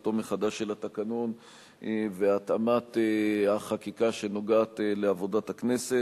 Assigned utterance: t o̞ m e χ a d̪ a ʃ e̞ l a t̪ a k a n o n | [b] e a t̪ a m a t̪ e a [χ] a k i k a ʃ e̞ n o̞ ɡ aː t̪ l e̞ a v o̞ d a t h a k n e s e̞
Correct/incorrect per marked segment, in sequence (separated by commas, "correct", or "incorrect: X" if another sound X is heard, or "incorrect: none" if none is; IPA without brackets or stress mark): incorrect: v, correct